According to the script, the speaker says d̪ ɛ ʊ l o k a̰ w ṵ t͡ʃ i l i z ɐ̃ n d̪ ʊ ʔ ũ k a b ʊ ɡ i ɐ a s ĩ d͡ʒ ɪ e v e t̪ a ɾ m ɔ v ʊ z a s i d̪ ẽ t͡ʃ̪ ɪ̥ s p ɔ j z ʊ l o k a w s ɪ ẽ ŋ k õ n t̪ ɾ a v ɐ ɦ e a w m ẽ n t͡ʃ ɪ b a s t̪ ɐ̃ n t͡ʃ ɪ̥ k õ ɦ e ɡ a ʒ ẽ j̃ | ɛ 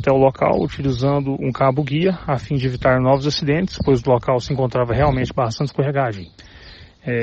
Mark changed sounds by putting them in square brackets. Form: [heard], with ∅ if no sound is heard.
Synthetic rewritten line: [t̪] ɛ ʊ l o k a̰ w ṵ t͡ʃ i l i z ɐ̃ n d̪ ʊ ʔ ũ k a b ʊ ɡ i ɐ a [f] ĩ d͡ʒ ɪ e v [i] t̪ a ɾ [n] ɔ v ʊ z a s i d̪ ẽ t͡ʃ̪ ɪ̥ s p [o] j z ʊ l o k a w s ɪ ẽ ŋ k õ n t̪ ɾ a v ɐ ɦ e a w m ẽ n t͡ʃ ɪ b a s t̪ ɐ̃ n t͡ʃ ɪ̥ k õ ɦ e ɡ a ʒ ẽ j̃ | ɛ